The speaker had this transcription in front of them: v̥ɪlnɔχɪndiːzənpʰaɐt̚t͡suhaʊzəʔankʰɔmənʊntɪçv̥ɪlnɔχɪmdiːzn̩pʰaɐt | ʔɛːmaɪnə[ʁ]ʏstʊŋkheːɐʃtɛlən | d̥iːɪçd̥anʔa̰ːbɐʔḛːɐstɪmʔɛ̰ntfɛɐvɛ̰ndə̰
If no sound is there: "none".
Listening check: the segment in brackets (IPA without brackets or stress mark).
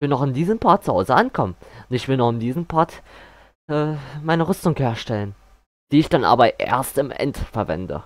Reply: ʁ